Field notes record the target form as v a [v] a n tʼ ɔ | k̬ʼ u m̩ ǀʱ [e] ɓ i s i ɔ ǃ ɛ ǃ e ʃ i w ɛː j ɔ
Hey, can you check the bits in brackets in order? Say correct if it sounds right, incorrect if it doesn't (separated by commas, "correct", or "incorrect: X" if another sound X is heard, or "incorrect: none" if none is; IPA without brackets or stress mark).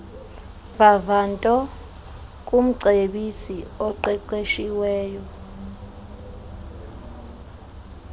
correct, correct